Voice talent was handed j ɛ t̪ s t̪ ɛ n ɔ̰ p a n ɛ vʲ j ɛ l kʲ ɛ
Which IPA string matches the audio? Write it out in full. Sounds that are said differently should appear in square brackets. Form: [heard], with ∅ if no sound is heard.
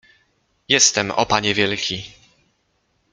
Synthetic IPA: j ɛ [∅] s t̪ ɛ [m] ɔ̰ p a [ɲ] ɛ vʲ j ɛ l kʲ [i]